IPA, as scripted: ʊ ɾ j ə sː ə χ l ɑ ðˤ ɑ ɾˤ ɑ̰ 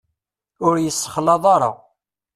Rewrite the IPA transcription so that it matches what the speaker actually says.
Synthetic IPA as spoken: ʊ ɾ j ə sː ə χ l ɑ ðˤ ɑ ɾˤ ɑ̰